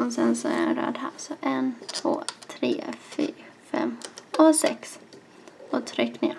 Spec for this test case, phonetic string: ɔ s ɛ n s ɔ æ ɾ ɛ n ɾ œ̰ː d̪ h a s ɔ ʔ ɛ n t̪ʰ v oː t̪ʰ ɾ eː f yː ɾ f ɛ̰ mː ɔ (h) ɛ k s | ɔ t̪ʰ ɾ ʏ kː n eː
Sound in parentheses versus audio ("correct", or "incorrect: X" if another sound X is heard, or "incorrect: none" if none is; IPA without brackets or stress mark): incorrect: s